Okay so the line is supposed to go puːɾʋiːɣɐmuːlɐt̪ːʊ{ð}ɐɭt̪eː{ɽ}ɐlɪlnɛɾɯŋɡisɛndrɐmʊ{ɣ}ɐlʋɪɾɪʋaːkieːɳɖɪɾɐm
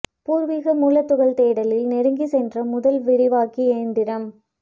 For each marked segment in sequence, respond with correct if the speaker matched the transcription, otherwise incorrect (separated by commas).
incorrect, correct, incorrect